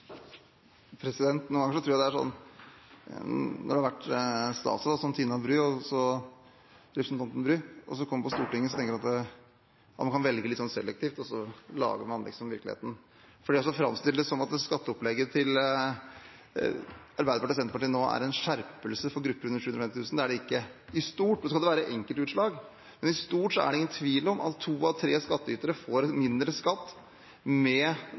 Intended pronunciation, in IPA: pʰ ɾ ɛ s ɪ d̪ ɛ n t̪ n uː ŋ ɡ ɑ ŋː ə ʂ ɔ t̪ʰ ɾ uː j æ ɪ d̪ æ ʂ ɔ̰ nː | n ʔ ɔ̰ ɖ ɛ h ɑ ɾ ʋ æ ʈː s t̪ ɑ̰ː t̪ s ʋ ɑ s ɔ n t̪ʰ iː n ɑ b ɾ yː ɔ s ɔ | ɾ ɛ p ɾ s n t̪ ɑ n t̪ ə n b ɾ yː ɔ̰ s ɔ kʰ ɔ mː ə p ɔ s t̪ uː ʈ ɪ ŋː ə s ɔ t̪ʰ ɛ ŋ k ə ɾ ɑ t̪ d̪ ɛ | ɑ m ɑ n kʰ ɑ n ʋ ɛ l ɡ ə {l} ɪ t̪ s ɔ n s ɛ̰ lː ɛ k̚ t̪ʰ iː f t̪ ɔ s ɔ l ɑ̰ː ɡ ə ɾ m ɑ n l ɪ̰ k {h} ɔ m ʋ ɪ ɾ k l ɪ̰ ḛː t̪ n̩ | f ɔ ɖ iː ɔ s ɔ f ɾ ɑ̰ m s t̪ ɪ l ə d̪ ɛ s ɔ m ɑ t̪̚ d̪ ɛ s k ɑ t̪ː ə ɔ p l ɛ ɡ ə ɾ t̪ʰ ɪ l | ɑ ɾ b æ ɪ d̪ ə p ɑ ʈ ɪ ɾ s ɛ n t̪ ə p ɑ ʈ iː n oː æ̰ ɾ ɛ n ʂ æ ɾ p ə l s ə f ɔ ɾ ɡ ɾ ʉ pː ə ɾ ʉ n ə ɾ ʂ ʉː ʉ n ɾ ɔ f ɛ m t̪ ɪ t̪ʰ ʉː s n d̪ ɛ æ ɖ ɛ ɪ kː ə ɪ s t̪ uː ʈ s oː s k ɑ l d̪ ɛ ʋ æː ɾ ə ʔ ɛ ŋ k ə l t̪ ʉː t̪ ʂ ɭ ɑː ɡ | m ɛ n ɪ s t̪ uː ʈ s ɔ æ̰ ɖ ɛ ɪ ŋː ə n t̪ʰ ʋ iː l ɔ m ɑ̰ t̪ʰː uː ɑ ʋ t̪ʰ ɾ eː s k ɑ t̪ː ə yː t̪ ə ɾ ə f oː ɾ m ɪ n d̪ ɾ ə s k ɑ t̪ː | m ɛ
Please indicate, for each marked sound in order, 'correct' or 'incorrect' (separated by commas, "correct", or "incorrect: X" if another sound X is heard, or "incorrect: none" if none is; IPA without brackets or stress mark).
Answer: correct, incorrect: s